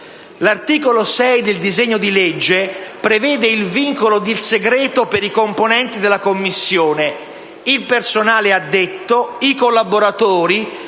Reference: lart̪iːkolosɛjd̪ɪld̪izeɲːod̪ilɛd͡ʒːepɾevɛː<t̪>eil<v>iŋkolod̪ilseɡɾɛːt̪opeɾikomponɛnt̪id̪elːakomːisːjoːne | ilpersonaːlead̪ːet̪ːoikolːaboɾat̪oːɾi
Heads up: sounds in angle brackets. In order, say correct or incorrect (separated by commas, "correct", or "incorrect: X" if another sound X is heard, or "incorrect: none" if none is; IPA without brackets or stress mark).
incorrect: d̪, correct